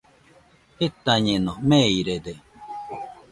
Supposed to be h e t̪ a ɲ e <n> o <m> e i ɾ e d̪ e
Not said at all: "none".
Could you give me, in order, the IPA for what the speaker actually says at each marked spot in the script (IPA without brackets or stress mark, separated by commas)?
n, m